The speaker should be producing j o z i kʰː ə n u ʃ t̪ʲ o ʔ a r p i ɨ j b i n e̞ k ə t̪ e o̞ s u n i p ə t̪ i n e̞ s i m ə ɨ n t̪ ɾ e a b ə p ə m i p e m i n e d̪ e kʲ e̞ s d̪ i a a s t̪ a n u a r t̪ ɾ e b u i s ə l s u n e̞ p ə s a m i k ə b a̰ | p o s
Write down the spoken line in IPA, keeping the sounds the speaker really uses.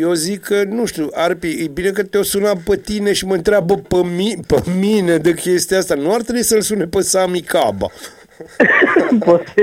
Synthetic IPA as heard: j o z i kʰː ə n u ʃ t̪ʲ u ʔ a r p i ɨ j b i n e̞ k ə t̪ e o̞ s u n a p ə t̪ i n e̞ ʃ i m ə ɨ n t̪ ɾ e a b ə p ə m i p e m i n e d̪ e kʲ e̞ s t̪ i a a s t̪ a n u a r t̪ ɾ e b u i s ə l s u n e̞ p ə s a m i k a b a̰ | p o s